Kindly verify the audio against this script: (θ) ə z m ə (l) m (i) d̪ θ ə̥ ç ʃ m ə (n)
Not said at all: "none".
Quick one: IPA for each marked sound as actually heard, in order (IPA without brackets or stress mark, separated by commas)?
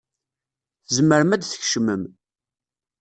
θ, ɾ, æ, m